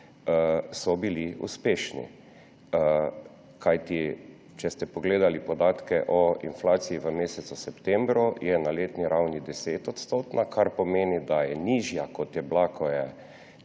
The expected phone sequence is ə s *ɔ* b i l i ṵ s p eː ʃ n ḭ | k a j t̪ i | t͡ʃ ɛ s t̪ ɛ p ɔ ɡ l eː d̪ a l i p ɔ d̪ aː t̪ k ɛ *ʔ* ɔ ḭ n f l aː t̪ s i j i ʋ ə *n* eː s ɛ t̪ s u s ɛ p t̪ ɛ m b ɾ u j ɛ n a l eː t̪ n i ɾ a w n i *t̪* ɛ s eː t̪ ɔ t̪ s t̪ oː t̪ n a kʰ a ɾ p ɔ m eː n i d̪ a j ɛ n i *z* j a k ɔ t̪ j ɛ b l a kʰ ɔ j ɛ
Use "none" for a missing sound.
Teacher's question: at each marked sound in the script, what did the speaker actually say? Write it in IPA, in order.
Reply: ɔ, ʔ, m, d̪, ʒ

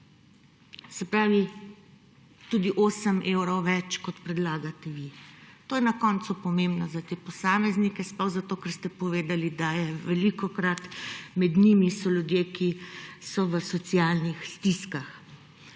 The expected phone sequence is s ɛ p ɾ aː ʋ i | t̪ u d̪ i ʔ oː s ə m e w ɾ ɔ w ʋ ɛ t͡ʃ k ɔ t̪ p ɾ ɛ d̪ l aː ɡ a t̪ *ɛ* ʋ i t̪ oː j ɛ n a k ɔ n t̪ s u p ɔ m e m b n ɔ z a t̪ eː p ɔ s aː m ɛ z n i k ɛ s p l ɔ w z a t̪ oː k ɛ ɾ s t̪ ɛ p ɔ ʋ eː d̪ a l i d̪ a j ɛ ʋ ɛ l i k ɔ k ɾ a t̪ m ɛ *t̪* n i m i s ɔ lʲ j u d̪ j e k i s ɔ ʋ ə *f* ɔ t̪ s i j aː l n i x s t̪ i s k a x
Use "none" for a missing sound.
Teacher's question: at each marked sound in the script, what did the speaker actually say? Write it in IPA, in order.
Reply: ɛ, d̪, s

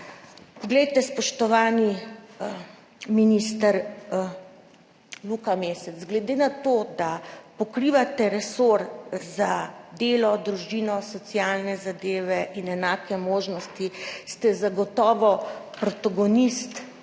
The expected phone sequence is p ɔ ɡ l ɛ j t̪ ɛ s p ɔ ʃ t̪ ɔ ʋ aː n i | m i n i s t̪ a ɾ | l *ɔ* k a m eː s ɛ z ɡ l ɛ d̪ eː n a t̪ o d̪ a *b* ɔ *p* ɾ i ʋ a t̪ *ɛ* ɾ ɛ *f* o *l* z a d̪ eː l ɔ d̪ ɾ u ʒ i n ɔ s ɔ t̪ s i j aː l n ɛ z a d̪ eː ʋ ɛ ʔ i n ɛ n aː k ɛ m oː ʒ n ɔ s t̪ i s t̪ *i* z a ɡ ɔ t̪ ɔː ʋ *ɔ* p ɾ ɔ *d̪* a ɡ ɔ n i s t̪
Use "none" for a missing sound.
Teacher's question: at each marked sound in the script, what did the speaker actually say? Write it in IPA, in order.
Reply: u, p, k, ɛ, s, ɾ, ɛ, ɔ, t̪

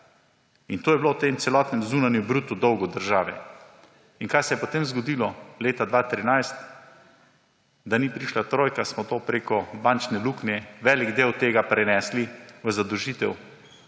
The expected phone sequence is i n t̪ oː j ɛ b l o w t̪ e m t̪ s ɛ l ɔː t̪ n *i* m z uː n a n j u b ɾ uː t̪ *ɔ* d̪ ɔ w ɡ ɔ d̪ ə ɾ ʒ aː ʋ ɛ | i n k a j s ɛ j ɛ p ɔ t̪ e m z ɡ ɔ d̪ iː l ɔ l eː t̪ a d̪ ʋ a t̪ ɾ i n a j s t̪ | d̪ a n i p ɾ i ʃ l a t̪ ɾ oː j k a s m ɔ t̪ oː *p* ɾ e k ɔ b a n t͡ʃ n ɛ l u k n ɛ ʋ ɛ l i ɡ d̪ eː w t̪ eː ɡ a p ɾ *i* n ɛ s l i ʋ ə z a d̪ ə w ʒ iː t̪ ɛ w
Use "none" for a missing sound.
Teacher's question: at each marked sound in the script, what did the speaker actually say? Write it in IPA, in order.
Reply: ɛ, u, p, ɛ

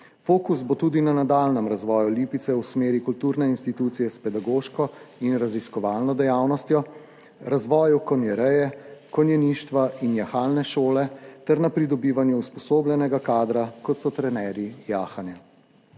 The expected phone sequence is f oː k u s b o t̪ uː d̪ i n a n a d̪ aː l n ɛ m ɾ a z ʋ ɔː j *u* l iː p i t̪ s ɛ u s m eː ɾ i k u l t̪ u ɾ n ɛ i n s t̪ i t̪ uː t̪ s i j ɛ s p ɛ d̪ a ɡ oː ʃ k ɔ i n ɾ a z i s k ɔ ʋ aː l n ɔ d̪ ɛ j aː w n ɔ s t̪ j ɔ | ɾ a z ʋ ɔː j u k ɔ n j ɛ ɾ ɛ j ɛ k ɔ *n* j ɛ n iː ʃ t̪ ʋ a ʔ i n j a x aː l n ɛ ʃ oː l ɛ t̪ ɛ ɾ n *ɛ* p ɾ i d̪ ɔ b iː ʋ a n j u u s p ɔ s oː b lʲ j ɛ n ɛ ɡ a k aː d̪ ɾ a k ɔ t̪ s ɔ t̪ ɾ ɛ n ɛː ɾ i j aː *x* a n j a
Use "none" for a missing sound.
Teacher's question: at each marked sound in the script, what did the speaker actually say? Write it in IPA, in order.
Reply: u, n, a, x

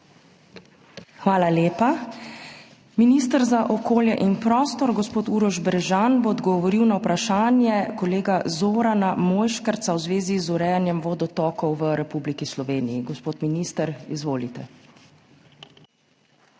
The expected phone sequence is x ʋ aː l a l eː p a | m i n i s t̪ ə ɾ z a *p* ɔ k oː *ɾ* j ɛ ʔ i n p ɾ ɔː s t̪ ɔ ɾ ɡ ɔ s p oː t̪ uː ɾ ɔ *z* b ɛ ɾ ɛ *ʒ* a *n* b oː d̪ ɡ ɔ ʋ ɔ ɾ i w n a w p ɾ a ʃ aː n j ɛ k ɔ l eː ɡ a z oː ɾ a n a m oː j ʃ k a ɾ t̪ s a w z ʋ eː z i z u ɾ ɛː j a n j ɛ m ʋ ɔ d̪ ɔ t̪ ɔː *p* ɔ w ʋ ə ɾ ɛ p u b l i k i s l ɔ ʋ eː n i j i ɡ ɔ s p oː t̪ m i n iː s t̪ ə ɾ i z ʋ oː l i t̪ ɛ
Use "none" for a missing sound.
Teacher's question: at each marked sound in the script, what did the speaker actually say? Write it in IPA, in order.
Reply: ʔ, l, ʒ, ʒ, n, k

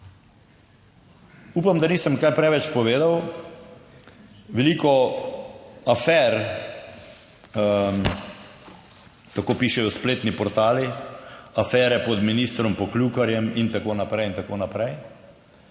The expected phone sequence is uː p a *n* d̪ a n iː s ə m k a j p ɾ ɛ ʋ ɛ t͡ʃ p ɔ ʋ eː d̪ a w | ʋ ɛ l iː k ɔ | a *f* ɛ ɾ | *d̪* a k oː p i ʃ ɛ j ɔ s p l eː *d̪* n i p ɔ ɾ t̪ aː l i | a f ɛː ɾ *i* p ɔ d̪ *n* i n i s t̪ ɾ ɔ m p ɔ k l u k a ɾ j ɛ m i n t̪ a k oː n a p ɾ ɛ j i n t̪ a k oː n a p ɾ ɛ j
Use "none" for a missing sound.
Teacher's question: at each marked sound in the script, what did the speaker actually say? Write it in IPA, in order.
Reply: m, f, t̪, t̪, ɛ, m

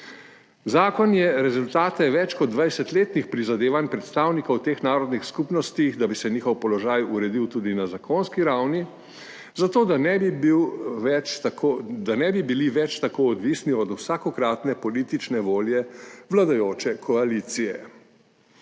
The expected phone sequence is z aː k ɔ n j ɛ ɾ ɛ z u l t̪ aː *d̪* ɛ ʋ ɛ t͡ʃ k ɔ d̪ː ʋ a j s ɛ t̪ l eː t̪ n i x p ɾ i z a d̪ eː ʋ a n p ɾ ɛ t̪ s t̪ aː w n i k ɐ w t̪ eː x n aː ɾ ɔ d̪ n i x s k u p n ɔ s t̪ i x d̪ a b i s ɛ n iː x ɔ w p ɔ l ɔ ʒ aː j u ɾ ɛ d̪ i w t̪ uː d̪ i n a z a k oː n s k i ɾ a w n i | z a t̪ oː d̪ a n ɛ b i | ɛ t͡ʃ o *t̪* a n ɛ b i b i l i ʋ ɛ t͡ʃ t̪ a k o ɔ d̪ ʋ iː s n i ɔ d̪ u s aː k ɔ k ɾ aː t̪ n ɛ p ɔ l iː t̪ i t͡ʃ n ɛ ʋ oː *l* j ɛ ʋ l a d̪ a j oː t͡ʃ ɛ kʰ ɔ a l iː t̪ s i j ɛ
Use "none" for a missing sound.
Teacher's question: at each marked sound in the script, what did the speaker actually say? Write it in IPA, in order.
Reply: t̪, d̪, l

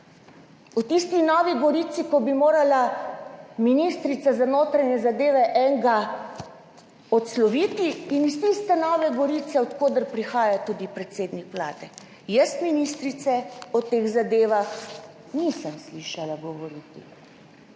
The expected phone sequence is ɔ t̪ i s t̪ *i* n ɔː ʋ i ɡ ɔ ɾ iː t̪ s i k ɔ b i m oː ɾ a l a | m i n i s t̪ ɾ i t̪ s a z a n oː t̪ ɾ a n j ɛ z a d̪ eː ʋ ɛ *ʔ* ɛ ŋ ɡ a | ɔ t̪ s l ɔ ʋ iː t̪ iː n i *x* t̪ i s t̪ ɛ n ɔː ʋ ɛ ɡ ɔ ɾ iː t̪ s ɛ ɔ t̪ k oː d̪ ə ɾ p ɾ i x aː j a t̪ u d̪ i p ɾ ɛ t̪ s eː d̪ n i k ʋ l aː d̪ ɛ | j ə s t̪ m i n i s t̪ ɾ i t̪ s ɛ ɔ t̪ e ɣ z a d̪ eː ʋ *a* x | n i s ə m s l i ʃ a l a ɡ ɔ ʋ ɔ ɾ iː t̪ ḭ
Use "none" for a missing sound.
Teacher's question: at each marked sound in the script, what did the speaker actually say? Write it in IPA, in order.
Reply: i, ʔ, s, a

